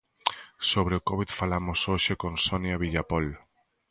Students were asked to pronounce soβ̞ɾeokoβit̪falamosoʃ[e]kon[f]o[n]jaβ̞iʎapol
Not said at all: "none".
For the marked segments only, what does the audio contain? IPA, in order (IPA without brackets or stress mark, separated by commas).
e, s, n